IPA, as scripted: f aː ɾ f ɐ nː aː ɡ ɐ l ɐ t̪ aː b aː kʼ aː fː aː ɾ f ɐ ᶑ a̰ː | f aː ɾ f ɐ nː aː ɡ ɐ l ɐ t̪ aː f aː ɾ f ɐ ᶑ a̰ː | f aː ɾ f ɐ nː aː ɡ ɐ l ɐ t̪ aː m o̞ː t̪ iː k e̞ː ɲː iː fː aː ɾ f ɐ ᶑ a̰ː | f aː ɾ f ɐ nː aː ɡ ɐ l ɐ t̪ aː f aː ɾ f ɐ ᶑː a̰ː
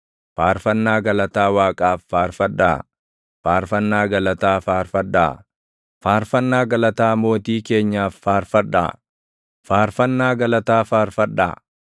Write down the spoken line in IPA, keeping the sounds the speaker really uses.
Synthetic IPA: f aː ɾ f ɐ nː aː ɡ ɐ l ɐ t̪ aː w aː kʼ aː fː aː ɾ f ɐ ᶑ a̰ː | f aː ɾ f ɐ nː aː ɡ ɐ l ɐ t̪ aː f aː ɾ f ɐ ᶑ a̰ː | f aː ɾ f ɐ nː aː ɡ ɐ l ɐ t̪ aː m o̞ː t̪ iː k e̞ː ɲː aː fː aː ɾ f ɐ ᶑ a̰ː | f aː ɾ f ɐ nː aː ɡ ɐ l ɐ t̪ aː f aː ɾ f ɐ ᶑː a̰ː